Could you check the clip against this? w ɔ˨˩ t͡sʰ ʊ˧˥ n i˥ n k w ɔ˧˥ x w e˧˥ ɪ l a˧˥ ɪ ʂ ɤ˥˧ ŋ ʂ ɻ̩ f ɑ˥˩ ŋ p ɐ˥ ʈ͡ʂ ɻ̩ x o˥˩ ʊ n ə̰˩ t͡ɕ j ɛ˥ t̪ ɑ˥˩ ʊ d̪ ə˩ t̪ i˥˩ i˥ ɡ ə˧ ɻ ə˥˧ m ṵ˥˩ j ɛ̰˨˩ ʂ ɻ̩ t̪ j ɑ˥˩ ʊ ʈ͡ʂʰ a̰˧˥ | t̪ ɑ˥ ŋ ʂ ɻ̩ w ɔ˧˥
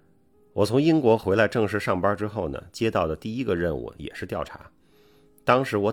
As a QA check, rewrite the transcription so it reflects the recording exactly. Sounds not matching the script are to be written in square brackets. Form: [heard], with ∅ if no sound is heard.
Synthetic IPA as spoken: w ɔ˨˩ t͡sʰ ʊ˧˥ [ŋ] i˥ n k w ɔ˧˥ x w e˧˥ ɪ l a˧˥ ɪ [ʈ͡ʂ] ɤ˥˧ ŋ ʂ ɻ̩ [ʂ] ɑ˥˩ ŋ p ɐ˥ ʈ͡ʂ ɻ̩ x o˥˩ ʊ n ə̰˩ t͡ɕ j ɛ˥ t̪ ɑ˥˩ ʊ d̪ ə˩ t̪ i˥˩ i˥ ɡ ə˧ ɻ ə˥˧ [n] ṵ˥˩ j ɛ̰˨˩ ʂ ɻ̩ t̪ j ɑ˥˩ ʊ ʈ͡ʂʰ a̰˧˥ | t̪ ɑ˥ ŋ ʂ ɻ̩ w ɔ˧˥